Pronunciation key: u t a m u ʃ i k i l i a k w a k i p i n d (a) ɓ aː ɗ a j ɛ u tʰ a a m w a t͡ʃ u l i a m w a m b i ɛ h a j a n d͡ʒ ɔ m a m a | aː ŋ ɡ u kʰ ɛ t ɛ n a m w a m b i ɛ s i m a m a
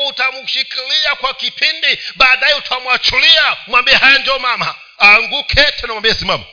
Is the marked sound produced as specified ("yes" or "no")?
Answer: no